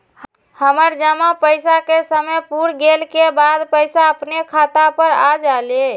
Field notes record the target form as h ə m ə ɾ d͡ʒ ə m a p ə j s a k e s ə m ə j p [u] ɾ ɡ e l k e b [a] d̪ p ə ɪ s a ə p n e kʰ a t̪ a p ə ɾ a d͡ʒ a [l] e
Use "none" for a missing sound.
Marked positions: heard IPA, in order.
u, a, l

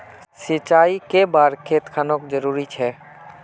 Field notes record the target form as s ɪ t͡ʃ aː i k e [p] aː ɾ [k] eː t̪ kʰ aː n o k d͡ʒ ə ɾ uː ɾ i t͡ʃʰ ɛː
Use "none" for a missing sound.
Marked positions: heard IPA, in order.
b, kʰ

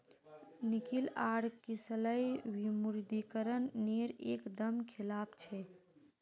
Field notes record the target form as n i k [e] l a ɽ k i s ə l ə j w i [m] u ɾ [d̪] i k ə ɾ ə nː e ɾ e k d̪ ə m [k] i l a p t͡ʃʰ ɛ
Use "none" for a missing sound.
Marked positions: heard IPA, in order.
i, m, d̪, kʰ

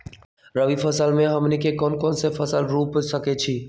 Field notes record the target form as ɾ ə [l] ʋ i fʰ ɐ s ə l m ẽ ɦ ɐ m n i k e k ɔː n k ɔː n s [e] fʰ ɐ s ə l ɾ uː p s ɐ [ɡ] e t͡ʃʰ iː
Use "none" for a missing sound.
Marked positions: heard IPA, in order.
none, e, k

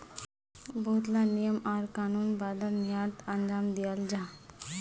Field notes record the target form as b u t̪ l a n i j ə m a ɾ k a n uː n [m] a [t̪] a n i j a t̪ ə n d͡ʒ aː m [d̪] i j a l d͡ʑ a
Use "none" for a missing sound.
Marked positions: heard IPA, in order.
b, d̪, d̪

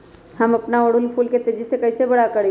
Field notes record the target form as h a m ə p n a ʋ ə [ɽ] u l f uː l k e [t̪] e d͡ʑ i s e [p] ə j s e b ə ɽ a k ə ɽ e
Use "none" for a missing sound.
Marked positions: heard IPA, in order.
ɽ, t̪, k

